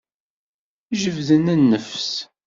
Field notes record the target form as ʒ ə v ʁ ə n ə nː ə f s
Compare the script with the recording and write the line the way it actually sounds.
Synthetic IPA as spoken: ʒ ə v ð ə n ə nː ə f s

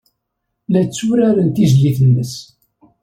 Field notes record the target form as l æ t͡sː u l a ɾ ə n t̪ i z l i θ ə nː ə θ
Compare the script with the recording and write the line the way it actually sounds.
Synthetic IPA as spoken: l æ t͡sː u ɾ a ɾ ə n t̪ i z l i θ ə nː ə s

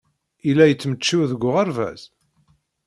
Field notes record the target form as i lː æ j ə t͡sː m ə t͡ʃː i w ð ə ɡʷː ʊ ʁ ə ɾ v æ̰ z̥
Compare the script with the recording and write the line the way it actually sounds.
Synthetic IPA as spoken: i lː æ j ə t͡sː m ə t͡ʃː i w ð ə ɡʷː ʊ ʁ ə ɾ v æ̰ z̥

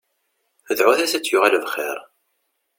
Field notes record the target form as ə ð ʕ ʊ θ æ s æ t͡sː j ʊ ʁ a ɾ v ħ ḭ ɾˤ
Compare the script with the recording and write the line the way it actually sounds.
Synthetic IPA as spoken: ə ð ʕ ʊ θ æ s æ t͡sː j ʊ ʁ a l v χ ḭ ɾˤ

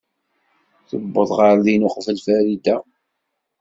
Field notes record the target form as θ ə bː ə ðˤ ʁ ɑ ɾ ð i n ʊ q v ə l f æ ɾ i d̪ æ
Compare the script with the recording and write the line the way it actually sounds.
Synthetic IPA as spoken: θ ə bː ə ðˤ ʁ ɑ ɾ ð i n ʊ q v ə l f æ ɾ i d̪ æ

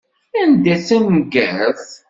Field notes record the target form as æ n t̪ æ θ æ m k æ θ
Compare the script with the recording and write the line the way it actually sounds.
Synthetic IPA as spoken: æ n d̪ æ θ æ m ɡ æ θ

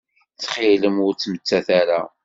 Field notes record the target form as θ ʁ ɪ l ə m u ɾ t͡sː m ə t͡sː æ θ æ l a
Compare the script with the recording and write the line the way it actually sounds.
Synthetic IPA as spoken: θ χ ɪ l ə m ʊ ɾ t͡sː m ə t͡sː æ θ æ ɾ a

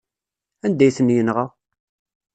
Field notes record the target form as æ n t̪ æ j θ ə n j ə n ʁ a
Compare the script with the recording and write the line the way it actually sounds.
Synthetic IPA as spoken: æ n d̪ æ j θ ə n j ə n ʁ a

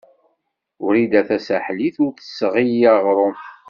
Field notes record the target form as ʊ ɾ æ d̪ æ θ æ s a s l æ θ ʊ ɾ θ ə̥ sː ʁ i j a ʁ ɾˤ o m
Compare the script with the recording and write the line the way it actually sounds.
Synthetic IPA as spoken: ʊ ɾ i d̪ æ θ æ s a ħ l i θ ʊ ɾ θ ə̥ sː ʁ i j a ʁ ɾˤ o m

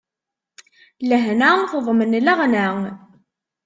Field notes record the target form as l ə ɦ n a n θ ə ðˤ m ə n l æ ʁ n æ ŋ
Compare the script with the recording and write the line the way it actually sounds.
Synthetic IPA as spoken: l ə ɦ n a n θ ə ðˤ m ə n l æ ʁ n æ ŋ

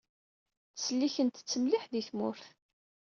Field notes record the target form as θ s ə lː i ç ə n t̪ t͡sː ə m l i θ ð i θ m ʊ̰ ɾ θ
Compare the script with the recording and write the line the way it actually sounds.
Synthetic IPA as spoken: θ s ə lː i ç ə n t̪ t͡sː ə m l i ħ ð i θ m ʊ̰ ɾ θ

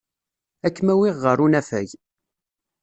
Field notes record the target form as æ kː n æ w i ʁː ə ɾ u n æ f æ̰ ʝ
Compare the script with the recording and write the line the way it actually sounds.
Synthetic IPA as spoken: æ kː m æ w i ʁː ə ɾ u n æ f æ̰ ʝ

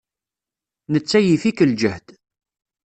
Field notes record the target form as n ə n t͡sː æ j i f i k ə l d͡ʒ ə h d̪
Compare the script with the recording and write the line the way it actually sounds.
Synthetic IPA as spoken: n ə t͡sː æ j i f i k ə l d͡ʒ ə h d̪

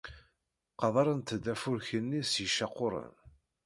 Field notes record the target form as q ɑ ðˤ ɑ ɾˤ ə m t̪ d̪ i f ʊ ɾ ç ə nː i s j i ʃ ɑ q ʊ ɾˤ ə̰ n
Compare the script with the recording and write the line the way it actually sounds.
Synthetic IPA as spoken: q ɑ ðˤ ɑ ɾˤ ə n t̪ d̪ æ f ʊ ɾ ç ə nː i s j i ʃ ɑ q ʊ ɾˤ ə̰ n

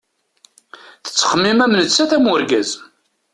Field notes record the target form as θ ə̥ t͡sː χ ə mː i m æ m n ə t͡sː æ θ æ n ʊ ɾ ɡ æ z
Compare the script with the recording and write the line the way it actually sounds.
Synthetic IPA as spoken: θ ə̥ t͡sː χ ə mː i m æ m n ə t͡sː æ θ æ m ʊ ɾ ɡ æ z

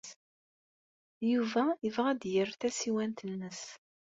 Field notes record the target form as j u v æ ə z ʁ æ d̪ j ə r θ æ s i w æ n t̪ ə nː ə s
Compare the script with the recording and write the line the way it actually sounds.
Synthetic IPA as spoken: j u v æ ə v ʁ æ d̪ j ə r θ æ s i w æ n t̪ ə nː ə s

